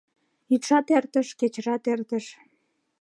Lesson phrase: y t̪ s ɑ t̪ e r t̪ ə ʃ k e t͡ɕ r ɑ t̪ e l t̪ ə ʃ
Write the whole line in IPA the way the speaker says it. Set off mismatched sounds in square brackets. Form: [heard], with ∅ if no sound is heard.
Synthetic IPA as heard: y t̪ [ʃ] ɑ t̪ e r t̪ ə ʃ k e t͡ɕ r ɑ t̪ e [r] t̪ ə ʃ